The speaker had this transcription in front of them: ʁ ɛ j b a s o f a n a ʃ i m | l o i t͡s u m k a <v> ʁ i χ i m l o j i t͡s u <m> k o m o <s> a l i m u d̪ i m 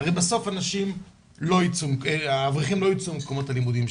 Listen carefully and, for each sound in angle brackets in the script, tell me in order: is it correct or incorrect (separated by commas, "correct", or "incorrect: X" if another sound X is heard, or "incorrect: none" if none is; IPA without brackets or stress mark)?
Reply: correct, correct, incorrect: t